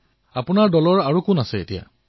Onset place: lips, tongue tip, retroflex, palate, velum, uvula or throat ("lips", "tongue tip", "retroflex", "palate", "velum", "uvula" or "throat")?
lips